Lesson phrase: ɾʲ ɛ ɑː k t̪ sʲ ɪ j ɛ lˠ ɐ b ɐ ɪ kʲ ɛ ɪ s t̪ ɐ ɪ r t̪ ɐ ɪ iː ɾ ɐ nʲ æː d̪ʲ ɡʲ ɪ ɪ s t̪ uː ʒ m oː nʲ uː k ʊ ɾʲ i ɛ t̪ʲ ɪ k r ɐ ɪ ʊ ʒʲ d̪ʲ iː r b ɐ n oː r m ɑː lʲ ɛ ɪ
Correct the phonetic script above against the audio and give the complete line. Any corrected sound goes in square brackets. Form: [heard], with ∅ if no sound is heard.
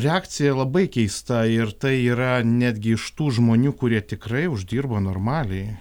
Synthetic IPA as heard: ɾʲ ɛ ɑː k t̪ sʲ ɪ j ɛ lˠ ɐ b ɐ ɪ kʲ ɛ ɪ s t̪ ɐ ɪ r t̪ ɐ ɪ iː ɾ ɐ nʲ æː d̪ʲ ɡʲ ɪ ɪ [ʃ] t̪ uː ʒ m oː nʲ uː k ʊ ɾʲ i ɛ t̪ʲ ɪ k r ɐ ɪ ʊ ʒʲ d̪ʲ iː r b ɐ n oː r m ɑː lʲ ɛ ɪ